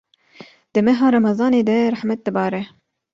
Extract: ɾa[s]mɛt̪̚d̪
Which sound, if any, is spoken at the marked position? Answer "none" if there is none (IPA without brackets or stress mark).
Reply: ħ